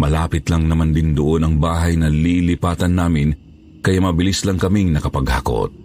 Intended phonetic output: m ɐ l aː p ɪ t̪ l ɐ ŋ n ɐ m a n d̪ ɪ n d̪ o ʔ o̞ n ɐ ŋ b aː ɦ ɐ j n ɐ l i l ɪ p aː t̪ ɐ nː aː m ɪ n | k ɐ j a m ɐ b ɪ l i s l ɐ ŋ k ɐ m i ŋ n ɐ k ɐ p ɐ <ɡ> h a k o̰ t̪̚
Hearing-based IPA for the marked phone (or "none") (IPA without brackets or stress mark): ɡ